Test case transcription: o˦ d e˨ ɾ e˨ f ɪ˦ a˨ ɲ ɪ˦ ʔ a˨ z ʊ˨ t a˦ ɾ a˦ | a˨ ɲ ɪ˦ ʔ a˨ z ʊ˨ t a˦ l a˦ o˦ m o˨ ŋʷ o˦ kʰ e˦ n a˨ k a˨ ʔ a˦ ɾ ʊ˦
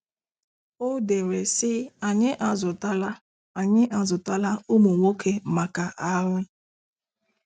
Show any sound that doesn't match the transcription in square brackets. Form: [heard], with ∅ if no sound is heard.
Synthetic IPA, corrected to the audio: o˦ d e˨ ɾ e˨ [s] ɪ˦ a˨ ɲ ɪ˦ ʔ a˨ z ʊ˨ t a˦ [l] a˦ | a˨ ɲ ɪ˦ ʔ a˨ z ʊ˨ t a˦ l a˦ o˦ m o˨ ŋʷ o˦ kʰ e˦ [m] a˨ k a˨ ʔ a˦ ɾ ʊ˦

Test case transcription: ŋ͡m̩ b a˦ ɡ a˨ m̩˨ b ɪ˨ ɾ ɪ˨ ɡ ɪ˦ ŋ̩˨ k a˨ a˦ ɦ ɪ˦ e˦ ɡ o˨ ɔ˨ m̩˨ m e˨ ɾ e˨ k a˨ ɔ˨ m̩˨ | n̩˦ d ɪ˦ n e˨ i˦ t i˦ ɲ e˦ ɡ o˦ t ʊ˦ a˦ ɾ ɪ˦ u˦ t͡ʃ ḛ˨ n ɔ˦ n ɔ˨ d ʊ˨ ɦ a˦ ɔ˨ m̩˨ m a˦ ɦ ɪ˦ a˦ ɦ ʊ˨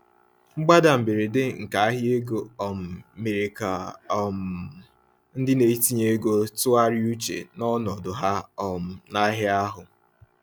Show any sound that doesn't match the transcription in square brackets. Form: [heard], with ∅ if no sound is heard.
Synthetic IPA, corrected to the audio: ŋ͡m̩ [ɡ͡b] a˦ [d] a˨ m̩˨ b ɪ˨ ɾ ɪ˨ [d] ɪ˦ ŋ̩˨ k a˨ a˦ ɦ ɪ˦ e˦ ɡ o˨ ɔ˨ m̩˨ m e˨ ɾ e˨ k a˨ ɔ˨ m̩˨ | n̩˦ d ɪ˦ n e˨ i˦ t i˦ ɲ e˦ ɡ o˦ t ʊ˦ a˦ ɾ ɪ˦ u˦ t͡ʃ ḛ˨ n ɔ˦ n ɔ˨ d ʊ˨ ɦ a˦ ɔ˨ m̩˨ [n] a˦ ɦ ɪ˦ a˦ ɦ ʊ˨

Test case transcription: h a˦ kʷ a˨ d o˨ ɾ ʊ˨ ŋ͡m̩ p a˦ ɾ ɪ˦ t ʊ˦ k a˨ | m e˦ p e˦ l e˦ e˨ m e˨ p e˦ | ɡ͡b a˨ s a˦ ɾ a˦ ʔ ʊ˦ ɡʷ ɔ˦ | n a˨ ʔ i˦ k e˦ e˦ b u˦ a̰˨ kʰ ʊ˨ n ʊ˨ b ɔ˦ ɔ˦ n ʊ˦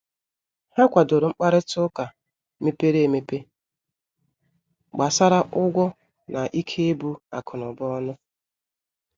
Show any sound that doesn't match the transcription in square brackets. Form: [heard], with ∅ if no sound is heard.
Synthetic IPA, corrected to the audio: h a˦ kʷ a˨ d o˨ ɾ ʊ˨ ŋ͡m̩ [k͡p] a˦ ɾ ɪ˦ t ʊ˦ k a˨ | m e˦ p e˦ [ɾ] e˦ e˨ m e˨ p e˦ | ɡ͡b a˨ s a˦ ɾ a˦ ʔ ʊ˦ ɡʷ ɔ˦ | n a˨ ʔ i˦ [kʰ] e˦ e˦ b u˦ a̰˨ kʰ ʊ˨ n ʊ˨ b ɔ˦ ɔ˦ n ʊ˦

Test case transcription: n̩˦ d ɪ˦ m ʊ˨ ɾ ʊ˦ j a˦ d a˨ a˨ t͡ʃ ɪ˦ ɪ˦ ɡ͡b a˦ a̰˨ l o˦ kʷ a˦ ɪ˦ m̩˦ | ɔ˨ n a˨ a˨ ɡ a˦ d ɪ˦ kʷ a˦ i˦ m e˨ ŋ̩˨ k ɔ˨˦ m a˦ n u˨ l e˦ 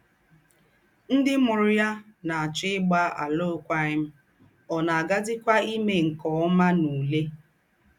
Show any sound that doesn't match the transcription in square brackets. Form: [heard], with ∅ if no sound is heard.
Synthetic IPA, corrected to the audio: n̩˦ d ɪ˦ m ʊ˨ ɾ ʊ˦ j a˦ [n] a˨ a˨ t͡ʃ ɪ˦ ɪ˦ ɡ͡b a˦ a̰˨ l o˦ kʷ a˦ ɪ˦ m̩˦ | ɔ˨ n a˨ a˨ ɡ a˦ d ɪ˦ kʷ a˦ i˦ m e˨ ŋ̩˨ k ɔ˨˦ m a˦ n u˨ l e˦

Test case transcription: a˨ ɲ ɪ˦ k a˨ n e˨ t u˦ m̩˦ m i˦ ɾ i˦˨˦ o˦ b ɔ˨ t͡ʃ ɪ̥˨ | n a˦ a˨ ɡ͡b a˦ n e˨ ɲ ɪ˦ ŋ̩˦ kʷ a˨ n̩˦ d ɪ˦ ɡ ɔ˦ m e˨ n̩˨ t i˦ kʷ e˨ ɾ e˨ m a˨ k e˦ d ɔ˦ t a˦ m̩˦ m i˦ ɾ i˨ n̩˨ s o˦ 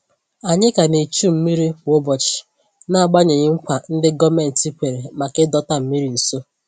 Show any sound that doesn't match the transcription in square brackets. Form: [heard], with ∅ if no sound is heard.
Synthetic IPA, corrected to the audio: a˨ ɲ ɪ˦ k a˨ n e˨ [t͡ʃ] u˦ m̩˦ m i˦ ɾ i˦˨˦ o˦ b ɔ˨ t͡ʃ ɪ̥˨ | n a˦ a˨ ɡ͡b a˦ [ɲ] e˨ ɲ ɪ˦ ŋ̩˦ kʷ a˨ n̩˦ d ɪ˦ ɡ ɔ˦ m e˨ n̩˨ t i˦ kʷ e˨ ɾ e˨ m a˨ k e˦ d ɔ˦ t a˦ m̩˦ m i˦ ɾ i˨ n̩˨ s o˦

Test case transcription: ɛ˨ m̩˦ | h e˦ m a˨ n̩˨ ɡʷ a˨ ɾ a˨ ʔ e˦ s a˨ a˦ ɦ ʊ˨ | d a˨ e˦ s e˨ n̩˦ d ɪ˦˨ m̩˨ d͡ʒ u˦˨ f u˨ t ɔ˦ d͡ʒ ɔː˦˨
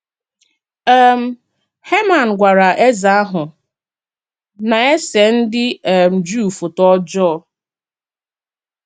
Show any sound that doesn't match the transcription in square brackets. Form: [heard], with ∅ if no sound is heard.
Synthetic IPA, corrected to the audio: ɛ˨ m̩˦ | h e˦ m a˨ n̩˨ ɡʷ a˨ ɾ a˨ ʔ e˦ [z] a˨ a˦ ɦ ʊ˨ | [n] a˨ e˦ s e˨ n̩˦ d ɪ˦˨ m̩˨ d͡ʒ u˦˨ f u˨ t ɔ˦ d͡ʒ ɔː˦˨

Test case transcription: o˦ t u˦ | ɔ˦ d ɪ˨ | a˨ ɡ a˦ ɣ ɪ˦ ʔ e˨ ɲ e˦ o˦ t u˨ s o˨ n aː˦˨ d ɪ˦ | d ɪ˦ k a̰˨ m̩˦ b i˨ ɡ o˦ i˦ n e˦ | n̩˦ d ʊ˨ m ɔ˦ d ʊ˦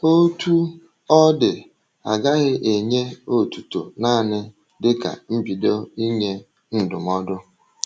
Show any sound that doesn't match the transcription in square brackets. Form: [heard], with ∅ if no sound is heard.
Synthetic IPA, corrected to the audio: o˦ t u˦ | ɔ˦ d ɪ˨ | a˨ ɡ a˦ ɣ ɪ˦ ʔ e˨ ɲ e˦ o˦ t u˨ [t] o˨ n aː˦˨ [n] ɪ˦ | d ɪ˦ k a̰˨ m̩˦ b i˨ [d] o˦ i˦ [ɲ] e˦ | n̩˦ d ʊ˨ m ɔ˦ d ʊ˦

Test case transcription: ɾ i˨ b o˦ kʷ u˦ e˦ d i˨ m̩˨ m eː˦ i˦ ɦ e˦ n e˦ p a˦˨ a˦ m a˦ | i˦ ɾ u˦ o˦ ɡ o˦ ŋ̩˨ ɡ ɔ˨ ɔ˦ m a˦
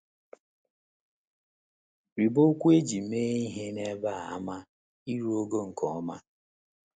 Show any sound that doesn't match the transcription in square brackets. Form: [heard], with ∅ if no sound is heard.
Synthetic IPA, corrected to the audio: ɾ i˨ b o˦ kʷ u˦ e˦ [d͡ʒ] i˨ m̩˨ m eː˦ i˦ ɦ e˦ n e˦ [b] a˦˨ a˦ m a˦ | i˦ ɾ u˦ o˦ ɡ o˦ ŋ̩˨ [k] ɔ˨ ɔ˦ m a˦

